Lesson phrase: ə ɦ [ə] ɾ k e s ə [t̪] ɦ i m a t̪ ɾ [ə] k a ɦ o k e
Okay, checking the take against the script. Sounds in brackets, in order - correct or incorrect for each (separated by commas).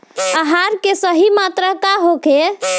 incorrect, incorrect, correct